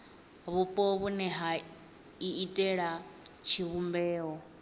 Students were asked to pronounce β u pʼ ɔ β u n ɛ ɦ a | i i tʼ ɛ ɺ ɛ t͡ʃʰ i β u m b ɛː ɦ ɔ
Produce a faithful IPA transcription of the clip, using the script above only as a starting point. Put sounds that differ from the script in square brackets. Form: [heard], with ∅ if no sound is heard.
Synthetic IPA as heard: β u pʼ ɔ β u n ɛ ɦ a | i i tʼ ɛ ɺ [a] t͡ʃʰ i β u m b ɛː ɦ ɔ